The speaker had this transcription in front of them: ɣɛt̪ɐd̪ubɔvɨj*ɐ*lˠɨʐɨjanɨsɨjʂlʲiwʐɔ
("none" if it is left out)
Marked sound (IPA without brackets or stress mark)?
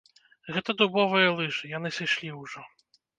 ɐ